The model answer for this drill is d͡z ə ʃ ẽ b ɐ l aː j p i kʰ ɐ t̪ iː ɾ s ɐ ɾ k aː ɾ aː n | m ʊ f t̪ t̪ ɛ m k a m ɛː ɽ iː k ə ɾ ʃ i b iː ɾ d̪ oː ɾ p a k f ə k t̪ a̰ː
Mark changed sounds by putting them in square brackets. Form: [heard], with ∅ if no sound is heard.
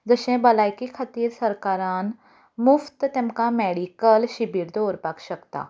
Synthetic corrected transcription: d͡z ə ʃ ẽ b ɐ l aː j [k] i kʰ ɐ t̪ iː ɾ s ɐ ɾ k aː ɾ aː n | m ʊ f t̪ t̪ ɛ m k a m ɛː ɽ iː k ə [l] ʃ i b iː ɾ d̪ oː ɾ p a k [ʃ] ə k t̪ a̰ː